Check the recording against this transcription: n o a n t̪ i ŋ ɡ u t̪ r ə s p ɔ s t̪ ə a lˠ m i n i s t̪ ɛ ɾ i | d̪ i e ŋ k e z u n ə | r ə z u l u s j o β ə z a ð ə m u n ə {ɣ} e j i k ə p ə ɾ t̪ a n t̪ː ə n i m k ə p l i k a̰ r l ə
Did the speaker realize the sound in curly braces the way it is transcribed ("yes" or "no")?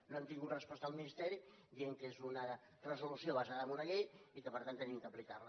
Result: yes